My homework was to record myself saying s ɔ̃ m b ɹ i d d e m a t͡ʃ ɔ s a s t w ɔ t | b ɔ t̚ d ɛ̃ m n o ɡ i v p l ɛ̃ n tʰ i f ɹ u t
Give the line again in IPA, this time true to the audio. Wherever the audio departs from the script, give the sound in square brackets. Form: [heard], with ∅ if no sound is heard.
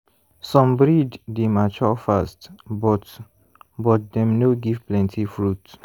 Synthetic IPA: s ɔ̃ m b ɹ i d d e m a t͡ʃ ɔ [f] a s t [b] ɔ t | b ɔ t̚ d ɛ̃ m n o ɡ i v p l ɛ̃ n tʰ i f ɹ u t